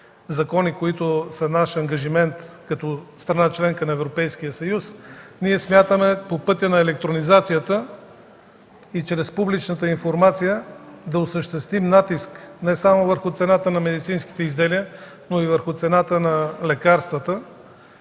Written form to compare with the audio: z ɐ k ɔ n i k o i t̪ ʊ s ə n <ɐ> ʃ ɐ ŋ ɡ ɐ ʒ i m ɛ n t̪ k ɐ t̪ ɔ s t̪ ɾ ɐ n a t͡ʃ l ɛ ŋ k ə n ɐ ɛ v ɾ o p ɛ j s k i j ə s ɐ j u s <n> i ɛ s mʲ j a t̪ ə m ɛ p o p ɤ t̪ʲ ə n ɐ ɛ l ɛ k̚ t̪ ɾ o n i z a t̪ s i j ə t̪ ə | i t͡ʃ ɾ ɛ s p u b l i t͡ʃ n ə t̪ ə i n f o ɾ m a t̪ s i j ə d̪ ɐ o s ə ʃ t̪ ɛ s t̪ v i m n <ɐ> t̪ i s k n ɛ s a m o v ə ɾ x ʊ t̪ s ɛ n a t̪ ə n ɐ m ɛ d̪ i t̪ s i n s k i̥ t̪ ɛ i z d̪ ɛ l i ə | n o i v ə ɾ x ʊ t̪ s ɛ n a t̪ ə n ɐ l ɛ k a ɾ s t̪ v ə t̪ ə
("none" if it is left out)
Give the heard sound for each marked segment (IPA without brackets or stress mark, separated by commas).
a, n, a